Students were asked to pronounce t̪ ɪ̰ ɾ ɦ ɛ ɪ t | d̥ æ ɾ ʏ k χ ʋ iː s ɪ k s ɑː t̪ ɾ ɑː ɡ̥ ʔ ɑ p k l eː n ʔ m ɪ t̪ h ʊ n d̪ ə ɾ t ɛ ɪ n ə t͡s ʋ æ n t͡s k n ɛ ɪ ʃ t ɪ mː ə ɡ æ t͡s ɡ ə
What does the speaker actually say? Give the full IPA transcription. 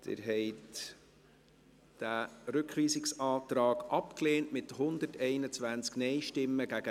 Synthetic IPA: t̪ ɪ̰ ɾ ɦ ɛ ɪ t | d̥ æ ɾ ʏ k χ ʋ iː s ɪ k s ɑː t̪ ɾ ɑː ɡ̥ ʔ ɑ p k l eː n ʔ m ɪ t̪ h ʊ n d̪ ə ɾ t ɛ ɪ n ə t͡s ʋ æ n t͡s k n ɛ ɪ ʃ t ɪ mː ə ɡ æ ɡ ə